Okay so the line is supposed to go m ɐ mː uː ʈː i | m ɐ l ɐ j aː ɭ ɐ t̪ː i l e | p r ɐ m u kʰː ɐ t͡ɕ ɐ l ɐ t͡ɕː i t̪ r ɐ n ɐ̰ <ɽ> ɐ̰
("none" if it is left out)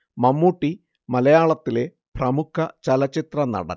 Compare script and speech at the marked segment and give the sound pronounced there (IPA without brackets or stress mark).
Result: ɽ